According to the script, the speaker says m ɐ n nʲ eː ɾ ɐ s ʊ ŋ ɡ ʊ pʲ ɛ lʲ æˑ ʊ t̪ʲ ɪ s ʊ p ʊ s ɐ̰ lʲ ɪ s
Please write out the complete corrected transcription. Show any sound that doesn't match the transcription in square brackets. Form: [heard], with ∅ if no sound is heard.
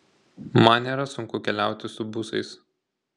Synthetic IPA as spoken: m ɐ n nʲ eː ɾ ɐ s ʊ ŋ [k] ʊ [kʲ] ɛ lʲ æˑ ʊ t̪ʲ ɪ s ʊ [b] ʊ s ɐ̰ [∅] ɪ s

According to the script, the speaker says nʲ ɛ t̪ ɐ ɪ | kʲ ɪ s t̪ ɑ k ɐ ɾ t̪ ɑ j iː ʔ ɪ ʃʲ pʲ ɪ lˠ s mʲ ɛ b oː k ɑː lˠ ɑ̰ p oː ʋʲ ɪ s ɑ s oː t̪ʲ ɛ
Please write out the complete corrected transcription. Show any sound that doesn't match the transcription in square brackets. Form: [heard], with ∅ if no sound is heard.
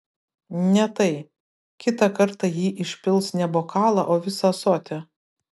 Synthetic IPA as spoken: nʲ ɛ t̪ ɐ ɪ | kʲ ɪ [∅] t̪ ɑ k ɐ ɾ t̪ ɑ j iː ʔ ɪ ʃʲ pʲ ɪ lˠ s [nʲ] ɛ b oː k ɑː lˠ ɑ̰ [ʔ] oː ʋʲ ɪ s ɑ s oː t̪ʲ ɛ

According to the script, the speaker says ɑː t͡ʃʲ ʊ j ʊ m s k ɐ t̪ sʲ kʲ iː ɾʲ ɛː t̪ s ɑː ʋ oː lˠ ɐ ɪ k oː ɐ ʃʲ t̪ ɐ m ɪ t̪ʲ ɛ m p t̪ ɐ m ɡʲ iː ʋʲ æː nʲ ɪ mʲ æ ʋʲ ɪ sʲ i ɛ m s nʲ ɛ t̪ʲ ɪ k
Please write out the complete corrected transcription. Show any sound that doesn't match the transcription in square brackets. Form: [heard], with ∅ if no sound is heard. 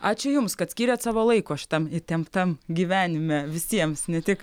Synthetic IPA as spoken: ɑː t͡ʃʲ ʊ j ʊ m s k ɐ t̪ sʲ kʲ iː ɾʲ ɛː t̪ s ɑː ʋ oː lˠ ɐ ɪ k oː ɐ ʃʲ t̪ ɐ m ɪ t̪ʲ ɛ m p t̪ ɐ m ɡʲ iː ʋʲ æː nʲ ɪ mʲ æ ʋʲ ɪ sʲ i ɛ m s nʲ ɛ t̪ʲ ɪ k

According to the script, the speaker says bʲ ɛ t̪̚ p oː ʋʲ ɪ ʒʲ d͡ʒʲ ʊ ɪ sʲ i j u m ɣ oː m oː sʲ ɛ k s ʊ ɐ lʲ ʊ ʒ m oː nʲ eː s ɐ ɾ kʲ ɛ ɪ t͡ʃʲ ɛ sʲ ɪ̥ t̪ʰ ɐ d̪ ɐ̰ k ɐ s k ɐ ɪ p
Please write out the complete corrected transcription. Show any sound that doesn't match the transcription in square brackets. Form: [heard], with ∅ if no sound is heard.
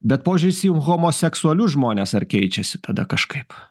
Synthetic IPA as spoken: bʲ ɛ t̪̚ p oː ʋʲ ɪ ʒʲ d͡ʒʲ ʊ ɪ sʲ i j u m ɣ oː m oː sʲ ɛ k s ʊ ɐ lʲ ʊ ʒ m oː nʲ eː s ɐ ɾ kʲ ɛ ɪ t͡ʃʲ ɛ sʲ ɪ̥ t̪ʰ ɐ d̪ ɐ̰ k ɐ [ʃ] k ɐ ɪ p

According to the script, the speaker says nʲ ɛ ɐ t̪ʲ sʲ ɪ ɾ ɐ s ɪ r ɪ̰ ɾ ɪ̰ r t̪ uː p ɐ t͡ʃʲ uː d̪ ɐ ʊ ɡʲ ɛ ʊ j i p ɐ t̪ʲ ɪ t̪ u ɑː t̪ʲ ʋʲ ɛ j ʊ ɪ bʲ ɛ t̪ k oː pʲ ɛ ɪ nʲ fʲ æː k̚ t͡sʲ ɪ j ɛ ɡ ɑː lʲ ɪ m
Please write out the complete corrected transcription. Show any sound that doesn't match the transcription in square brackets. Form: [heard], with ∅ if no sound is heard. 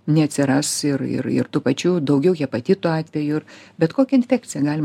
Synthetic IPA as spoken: nʲ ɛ ɐ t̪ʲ sʲ ɪ ɾ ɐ s ɪ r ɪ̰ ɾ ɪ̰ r t̪ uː p ɐ t͡ʃʲ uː d̪ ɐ ʊ ɡʲ ɛ ʊ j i p ɐ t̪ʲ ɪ t̪ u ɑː t̪ʲ ʋʲ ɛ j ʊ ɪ bʲ ɛ t̪ k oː [kʲ] ɛ ɪ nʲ fʲ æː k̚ t͡sʲ ɪ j ɛ ɡ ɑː lʲ ɪ m

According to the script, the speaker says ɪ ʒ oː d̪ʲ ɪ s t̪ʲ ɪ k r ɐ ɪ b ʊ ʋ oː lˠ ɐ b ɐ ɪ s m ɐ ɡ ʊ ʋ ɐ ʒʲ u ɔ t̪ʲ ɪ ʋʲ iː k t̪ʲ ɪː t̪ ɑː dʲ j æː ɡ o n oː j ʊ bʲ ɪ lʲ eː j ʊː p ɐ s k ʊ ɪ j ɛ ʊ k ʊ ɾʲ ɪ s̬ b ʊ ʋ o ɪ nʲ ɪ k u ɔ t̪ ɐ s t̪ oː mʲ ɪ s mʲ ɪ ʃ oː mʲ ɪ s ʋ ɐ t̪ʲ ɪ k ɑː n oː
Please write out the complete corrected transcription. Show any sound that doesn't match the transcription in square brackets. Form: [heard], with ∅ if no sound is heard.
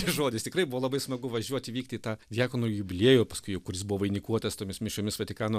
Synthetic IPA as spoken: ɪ ʒ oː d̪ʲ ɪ s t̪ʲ ɪ k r ɐ ɪ b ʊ ʋ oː lˠ ɐ b ɐ ɪ s m ɐ ɡ ʊ ʋ ɐ ʒʲ u ɔ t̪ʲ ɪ ʋʲ iː k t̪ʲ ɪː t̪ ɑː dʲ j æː [k] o n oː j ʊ bʲ ɪ lʲ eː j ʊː p ɐ s k ʊ ɪ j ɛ ʊ k ʊ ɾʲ ɪ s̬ b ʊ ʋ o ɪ nʲ ɪ k u ɔ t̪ ɐ s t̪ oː mʲ ɪ s mʲ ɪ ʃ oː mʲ ɪ s ʋ ɐ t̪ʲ ɪ k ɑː n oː

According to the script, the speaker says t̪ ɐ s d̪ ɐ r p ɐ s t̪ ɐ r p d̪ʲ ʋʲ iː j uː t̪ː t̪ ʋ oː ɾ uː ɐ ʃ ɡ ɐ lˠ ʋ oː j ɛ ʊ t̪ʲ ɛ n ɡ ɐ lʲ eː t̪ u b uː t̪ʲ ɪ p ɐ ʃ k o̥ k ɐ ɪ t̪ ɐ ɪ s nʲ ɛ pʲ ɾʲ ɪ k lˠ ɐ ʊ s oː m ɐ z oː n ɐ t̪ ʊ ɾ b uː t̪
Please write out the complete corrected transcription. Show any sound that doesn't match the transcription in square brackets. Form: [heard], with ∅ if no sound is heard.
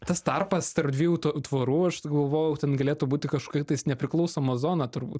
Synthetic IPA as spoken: t̪ ɐ s [t̪] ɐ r p ɐ s t̪ ɐ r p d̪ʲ ʋʲ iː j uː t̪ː t̪ ʋ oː ɾ uː ɐ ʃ ɡ ɐ lˠ ʋ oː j ɛ ʊ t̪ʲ ɛ n ɡ ɐ lʲ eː t̪ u b uː t̪ʲ ɪ [k] ɐ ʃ k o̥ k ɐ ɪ t̪ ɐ ɪ s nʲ ɛ pʲ ɾʲ ɪ k lˠ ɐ ʊ s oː m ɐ z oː n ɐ t̪ ʊ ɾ b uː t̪

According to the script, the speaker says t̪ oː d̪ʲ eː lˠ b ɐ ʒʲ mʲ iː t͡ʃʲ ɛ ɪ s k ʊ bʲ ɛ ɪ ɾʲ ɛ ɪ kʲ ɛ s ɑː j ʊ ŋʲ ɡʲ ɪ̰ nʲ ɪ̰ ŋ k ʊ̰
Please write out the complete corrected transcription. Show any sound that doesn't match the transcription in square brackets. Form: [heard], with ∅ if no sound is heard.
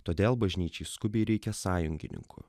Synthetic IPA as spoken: t̪ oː d̪ʲ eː lˠ b ɐ ʒʲ [nʲ] iː t͡ʃʲ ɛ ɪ s k ʊ bʲ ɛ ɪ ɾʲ ɛ ɪ kʲ ɛ s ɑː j ʊ ŋʲ ɡʲ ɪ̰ nʲ ɪ̰ ŋ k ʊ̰

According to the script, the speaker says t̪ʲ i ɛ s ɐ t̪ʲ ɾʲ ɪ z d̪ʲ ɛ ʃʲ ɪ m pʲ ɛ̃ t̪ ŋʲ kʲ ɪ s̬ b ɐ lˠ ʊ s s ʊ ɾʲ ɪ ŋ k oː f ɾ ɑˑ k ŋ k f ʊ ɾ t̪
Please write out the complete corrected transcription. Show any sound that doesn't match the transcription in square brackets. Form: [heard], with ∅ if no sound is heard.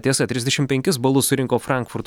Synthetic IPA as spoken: t̪ʲ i ɛ s ɐ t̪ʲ ɾʲ ɪ z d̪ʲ ɛ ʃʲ ɪ m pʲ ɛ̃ [∅] ŋʲ kʲ ɪ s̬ b ɐ lˠ ʊ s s ʊ ɾʲ ɪ ŋ k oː f ɾ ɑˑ [∅] ŋ k f ʊ ɾ t̪

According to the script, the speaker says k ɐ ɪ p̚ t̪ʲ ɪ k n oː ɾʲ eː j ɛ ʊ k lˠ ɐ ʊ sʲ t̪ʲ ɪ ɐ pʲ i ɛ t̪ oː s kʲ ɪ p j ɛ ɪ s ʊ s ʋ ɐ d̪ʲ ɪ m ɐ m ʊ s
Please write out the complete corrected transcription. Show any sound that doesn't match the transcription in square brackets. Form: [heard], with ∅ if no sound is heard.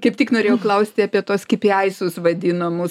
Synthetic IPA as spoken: k ɐ ɪ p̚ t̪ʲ ɪ k n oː ɾʲ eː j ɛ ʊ k lˠ ɐ ʊ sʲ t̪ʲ ɪ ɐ pʲ i ɛ t̪ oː s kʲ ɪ p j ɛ ɪ s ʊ s ʋ ɐ d̪ʲ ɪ [n] ɐ m ʊ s

